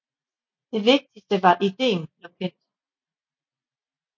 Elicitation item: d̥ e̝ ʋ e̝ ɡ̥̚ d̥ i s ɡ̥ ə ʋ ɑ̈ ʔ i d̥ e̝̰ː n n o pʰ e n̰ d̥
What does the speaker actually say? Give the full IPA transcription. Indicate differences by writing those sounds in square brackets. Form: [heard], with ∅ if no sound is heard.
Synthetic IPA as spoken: d̥ e̝ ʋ e̝ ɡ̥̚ d̥ i s [d̥] ə ʋ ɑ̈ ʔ i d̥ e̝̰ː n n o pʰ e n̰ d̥